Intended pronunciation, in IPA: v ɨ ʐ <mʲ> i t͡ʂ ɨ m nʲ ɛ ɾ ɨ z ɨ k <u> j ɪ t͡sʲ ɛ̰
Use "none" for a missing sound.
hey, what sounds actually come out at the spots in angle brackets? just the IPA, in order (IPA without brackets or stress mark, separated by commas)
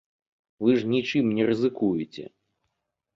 nʲ, u